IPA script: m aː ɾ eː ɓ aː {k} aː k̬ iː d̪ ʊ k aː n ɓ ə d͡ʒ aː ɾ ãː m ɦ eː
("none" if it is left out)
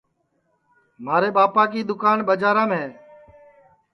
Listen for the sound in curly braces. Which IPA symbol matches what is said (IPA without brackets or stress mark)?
p